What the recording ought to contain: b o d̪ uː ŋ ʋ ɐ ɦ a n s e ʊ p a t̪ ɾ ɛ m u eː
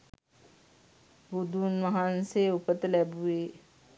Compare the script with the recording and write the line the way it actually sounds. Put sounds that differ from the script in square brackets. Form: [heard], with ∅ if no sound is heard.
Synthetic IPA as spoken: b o d̪ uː [n] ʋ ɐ ɦ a n s e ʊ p [ə] t̪ [l] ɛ [b] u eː